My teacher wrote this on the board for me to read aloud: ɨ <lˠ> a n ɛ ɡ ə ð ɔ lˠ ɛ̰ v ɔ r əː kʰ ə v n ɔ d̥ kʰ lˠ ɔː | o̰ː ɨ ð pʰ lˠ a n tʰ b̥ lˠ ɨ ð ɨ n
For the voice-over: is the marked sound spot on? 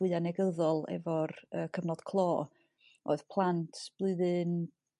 no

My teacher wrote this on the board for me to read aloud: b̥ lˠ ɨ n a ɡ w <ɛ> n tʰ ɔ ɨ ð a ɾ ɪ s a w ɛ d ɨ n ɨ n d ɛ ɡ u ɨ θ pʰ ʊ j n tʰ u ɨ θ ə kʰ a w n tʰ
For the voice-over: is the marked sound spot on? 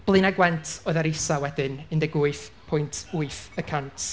yes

